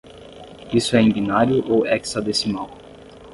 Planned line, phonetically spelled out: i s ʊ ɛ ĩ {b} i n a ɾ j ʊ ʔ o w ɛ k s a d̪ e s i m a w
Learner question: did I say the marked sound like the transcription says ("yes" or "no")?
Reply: yes